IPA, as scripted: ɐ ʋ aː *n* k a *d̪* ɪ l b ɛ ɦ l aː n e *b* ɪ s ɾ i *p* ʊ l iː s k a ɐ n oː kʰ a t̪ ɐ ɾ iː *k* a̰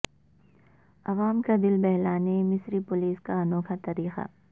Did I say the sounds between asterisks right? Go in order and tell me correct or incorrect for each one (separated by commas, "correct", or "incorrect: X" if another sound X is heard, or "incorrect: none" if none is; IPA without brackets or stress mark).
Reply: incorrect: m, correct, incorrect: m, correct, incorrect: x